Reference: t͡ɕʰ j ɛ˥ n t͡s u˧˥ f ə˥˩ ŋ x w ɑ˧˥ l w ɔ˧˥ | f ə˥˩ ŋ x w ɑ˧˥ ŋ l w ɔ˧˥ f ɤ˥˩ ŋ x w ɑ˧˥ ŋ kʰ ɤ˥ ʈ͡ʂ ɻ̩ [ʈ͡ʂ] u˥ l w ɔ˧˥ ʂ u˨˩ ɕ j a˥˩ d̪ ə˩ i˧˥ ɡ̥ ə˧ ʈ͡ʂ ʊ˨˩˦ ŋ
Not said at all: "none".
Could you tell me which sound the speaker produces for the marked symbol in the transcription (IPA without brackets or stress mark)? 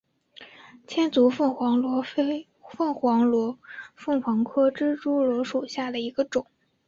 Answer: ʈ͡ʂ